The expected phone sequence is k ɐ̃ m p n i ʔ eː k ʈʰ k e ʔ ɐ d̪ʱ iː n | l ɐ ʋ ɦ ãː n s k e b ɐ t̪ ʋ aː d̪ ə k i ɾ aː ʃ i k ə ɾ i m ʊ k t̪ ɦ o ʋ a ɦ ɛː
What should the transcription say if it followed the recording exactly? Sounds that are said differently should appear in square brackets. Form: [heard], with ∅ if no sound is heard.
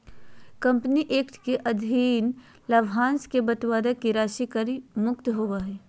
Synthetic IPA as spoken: k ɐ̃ m p n i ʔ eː k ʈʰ k e ʔ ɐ d̪ʱ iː n | l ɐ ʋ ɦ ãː n s k e b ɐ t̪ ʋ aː d̪ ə k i ɾ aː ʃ i k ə ɾ i m ʊ k t̪ ɦ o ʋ a ɦ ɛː